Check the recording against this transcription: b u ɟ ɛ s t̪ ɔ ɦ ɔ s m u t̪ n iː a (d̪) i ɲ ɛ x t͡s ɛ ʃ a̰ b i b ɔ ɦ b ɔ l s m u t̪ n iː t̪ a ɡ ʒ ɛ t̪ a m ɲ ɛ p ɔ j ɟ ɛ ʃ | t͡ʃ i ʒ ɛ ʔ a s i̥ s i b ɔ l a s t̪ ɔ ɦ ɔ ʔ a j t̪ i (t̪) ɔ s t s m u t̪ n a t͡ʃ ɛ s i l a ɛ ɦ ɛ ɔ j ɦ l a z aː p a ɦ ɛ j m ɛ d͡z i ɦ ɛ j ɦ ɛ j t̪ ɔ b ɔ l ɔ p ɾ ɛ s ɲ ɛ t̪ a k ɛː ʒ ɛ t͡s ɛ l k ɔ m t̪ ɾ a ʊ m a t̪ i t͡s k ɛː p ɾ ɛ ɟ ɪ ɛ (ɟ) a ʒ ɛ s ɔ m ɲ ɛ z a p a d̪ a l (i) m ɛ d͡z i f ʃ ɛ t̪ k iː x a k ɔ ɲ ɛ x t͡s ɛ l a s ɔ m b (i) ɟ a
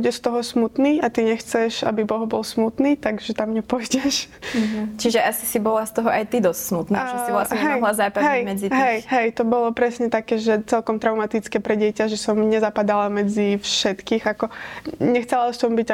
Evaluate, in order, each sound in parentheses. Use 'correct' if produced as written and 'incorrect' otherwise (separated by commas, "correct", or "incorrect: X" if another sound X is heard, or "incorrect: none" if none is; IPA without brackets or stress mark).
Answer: incorrect: t̪, incorrect: d̪, incorrect: c, incorrect: a, correct